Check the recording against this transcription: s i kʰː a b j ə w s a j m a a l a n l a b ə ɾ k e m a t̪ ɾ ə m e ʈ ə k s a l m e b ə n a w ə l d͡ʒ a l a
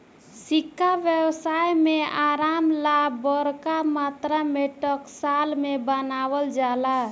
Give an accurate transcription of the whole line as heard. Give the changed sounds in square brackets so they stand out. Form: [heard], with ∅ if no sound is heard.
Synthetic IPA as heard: s i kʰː a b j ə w s a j m [e] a [ɾ] a [m] l a b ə ɾ k [a] m a t̪ ɾ [a] m e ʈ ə k s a l m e b ə n a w ə l d͡ʒ a l a